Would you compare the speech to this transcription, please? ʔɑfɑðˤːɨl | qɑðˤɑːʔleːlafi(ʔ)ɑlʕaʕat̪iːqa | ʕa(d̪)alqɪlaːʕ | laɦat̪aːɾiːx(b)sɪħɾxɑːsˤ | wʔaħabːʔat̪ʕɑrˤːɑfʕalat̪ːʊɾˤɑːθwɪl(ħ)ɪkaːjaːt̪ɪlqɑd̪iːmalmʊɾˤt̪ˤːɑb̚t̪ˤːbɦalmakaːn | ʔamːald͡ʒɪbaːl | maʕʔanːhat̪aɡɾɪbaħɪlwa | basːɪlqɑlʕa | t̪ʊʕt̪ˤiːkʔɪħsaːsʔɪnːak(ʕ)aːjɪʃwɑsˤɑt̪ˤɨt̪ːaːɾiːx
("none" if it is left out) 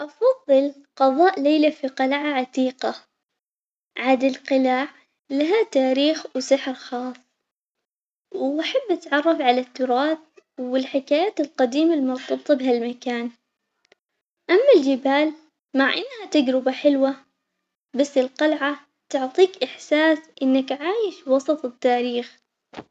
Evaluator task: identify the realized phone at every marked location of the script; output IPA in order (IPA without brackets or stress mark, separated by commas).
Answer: q, d̪, w, ħ, ʕ